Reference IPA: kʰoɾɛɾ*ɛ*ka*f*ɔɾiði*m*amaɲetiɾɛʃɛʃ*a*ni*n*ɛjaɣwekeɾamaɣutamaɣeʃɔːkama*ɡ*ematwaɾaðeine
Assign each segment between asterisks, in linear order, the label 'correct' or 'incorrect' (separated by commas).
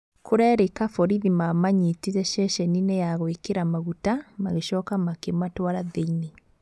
incorrect, correct, correct, incorrect, correct, incorrect